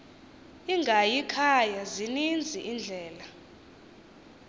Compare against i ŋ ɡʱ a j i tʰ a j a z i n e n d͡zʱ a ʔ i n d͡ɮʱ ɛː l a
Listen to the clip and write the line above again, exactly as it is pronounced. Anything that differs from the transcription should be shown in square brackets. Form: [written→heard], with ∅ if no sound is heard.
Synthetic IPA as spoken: i ŋ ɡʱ a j i [tʰ→kʰ] a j a z i n [e→i] n d͡zʱ [a→i] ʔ i n d͡ɮʱ ɛː l a